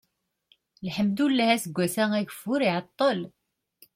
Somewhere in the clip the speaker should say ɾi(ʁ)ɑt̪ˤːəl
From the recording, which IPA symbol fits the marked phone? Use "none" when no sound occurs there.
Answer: ʕ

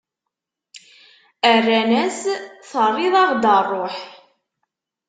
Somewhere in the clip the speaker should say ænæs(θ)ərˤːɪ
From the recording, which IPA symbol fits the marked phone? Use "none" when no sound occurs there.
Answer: θ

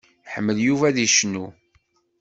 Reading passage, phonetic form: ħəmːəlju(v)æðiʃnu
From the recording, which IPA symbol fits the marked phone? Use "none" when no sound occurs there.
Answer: v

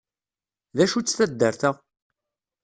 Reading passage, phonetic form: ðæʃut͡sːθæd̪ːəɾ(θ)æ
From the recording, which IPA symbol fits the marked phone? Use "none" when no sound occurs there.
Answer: θ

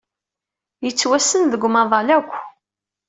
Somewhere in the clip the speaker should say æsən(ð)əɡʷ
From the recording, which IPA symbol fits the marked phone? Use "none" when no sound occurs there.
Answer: ð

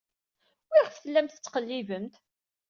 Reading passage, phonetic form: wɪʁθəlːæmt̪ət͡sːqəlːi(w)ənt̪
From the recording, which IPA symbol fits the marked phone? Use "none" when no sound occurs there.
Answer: v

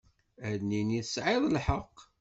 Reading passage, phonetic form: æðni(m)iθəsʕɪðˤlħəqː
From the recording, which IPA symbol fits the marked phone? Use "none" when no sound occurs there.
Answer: n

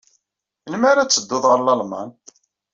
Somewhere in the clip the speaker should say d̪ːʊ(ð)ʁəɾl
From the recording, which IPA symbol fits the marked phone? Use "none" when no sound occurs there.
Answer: ð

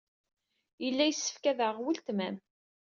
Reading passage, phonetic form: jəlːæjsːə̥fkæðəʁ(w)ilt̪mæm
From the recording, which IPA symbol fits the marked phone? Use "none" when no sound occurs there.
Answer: w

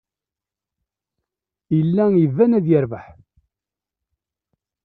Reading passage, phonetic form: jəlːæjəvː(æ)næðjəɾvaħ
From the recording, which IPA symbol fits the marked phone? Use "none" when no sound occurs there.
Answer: æ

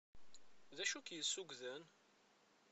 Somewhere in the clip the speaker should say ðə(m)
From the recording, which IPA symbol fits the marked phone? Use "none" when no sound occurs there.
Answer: n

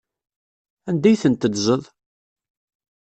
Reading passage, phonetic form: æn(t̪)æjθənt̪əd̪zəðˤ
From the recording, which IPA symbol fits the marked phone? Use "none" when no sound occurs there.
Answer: d̪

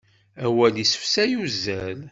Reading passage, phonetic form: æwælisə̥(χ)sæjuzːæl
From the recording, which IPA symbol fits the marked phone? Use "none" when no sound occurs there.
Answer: f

